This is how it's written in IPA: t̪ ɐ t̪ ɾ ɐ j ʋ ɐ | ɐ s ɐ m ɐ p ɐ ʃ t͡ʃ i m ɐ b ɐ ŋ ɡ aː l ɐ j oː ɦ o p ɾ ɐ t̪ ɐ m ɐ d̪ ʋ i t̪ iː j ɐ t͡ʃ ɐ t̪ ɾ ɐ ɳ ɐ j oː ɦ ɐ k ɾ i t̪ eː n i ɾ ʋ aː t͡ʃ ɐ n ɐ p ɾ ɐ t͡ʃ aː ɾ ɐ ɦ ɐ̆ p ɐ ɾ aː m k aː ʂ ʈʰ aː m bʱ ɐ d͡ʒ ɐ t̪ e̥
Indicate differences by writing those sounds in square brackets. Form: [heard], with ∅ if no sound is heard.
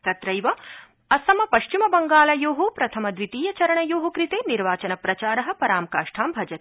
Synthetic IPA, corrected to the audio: t̪ ɐ t̪ ɾ ɐ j ʋ ɐ | ɐ s ɐ m ɐ p ɐ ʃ t͡ʃ i m ɐ b ɐ ŋ ɡ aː l ɐ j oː ɦ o p ɾ ɐ [t̪ʰ] ɐ m ɐ d̪ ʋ i t̪ iː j ɐ t͡ʃ ɐ [∅] ɾ ɐ ɳ ɐ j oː ɦ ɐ k ɾ i t̪ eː n i ɾ ʋ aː t͡ʃ ɐ n ɐ p ɾ ɐ t͡ʃ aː ɾ ɐ ɦ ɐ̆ p ɐ ɾ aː m k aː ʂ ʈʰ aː m bʱ ɐ d͡ʒ ɐ t̪ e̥